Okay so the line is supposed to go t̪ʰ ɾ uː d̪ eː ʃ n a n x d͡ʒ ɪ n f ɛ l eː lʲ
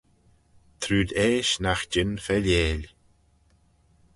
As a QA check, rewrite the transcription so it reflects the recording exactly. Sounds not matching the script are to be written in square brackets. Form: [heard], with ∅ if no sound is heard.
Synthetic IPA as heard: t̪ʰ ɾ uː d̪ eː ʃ n a [∅] x d͡ʒ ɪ n f ɛ l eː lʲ